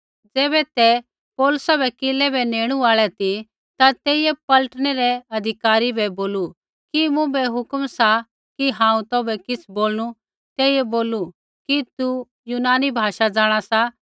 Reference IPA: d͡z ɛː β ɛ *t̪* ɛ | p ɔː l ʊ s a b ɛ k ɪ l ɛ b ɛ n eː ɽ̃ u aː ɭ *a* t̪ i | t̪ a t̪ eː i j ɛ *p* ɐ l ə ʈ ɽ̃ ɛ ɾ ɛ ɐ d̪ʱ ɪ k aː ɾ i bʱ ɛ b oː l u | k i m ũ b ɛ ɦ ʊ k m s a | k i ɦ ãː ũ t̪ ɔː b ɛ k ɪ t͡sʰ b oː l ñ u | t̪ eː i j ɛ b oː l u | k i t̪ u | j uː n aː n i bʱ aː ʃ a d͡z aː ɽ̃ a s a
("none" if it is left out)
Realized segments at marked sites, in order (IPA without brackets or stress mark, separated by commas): t̪, ɛ, p